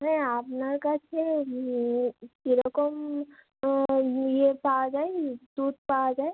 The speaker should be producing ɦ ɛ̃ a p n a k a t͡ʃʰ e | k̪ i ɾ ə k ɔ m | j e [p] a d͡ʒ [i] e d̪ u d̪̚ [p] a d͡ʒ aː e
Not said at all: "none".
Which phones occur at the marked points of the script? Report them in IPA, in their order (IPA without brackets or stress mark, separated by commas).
p, a, p